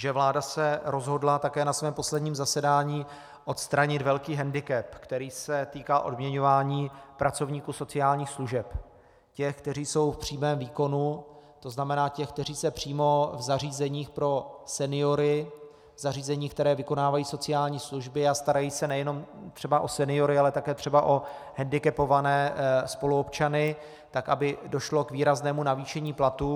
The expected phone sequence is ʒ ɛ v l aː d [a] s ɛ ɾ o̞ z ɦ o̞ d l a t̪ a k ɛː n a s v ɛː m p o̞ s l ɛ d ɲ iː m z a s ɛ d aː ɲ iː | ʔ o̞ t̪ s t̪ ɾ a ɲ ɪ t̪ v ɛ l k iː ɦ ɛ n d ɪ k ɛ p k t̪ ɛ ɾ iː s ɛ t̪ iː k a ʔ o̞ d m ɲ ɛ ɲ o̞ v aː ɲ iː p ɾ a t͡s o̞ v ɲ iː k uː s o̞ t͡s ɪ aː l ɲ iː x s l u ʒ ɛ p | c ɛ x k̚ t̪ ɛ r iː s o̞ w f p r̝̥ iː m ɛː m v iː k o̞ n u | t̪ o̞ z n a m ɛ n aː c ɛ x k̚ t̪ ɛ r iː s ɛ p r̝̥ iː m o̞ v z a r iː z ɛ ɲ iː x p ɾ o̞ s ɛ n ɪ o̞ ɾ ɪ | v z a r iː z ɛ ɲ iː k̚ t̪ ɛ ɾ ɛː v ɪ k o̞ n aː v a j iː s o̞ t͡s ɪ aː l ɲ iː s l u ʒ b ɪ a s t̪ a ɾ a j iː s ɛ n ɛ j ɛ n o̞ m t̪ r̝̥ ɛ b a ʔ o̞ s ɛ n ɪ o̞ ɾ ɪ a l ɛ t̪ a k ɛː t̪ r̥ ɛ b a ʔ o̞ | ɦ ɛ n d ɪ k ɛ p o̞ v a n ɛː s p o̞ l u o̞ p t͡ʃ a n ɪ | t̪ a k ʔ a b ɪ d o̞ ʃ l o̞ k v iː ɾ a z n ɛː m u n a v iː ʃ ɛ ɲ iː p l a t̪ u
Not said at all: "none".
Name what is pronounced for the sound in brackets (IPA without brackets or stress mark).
a